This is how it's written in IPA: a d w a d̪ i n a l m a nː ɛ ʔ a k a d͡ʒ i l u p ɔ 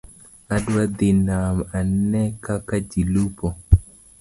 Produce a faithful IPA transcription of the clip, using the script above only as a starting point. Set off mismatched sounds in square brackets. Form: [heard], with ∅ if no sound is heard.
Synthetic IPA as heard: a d w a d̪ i n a [∅] m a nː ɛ [k] a k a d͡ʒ i l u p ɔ